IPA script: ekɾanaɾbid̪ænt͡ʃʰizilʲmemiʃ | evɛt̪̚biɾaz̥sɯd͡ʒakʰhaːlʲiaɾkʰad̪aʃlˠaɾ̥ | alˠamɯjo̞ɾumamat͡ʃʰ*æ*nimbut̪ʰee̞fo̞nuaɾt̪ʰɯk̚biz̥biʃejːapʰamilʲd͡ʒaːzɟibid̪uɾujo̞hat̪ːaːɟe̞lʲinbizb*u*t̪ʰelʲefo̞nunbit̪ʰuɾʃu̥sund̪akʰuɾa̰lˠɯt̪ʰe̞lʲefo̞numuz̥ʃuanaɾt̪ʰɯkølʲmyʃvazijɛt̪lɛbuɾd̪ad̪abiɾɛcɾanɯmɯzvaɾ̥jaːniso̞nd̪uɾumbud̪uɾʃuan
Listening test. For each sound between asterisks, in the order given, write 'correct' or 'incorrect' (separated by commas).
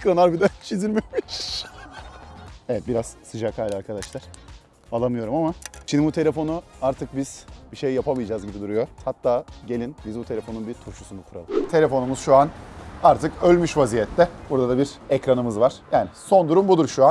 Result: incorrect, correct